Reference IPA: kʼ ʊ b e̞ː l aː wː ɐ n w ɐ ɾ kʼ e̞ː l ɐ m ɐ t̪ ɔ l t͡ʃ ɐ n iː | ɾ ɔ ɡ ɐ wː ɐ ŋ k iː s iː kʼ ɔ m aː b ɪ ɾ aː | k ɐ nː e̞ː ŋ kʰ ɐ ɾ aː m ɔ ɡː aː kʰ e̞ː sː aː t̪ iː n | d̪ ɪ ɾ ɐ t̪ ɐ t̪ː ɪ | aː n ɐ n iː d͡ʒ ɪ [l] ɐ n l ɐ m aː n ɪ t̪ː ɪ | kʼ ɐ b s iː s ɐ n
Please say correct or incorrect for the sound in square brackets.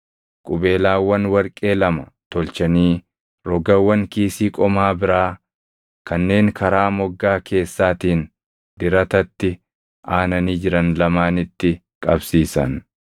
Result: incorrect